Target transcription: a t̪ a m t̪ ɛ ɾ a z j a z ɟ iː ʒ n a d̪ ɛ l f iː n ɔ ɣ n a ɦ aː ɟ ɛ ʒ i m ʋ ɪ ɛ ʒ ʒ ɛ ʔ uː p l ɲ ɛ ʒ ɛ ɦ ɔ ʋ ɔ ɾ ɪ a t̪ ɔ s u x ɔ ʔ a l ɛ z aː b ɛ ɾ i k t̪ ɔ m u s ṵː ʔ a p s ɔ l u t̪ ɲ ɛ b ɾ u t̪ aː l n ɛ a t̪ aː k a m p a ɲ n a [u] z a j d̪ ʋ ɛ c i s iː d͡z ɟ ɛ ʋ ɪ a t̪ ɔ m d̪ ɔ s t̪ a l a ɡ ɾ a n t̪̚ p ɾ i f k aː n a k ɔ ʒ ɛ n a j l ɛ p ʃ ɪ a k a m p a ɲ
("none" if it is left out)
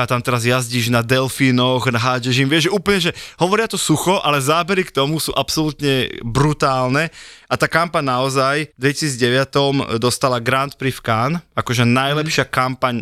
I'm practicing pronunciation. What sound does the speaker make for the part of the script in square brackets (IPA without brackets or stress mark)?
ɔ